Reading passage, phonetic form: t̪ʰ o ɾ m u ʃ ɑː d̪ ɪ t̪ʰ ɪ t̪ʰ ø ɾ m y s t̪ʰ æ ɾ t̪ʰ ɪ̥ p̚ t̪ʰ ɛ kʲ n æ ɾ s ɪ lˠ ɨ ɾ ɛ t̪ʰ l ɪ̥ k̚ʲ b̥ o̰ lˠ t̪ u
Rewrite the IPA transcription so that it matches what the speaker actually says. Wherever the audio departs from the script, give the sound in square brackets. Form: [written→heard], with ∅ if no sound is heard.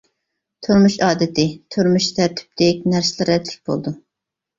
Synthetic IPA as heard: t̪ʰ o ɾ m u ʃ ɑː d̪ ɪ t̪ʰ ɪ t̪ʰ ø ɾ m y [s→ʃ] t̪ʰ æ ɾ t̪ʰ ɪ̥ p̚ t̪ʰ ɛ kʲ n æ ɾ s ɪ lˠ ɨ ɾ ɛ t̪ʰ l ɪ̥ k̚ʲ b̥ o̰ lˠ [t̪→d̪] u